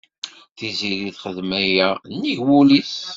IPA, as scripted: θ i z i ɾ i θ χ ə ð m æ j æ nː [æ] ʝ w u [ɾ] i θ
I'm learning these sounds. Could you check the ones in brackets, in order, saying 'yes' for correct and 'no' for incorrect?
no, no

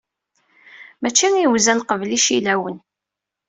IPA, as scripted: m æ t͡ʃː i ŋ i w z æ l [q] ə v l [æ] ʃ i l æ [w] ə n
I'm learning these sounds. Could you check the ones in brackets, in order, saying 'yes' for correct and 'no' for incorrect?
yes, no, yes

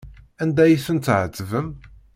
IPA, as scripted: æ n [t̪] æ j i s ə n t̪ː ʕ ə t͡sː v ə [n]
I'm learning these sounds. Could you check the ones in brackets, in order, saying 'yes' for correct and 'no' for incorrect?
no, no

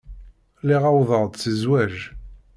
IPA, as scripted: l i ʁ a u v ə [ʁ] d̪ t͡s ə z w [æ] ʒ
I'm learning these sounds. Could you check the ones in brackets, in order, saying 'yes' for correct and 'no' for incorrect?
yes, yes

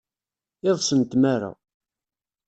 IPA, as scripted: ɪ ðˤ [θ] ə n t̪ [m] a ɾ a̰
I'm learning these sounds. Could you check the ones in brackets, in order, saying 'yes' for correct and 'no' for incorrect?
no, yes

